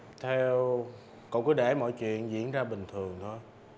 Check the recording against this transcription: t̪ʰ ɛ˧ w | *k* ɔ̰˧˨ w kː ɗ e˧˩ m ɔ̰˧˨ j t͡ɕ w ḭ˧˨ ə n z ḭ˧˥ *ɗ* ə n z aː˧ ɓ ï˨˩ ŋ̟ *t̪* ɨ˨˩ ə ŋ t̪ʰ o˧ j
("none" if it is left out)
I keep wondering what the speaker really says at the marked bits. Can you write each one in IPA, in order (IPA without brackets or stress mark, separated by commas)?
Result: k, none, t̪ʰ